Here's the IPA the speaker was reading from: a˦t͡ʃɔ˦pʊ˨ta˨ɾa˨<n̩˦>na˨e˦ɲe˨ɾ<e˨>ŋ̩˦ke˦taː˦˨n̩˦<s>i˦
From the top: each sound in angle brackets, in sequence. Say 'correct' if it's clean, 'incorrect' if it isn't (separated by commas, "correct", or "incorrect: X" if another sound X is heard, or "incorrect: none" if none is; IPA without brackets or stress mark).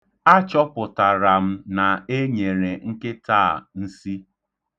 incorrect: m̩˦, correct, correct